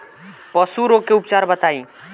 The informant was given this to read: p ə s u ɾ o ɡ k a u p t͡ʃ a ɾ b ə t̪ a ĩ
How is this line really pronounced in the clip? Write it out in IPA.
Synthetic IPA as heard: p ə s u ɾ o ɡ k e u p t͡ʃ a ɾ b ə t̪ a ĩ